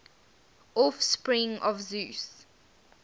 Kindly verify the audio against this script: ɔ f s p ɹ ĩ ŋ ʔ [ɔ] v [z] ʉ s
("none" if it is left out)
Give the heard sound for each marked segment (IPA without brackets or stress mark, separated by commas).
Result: ɔ, z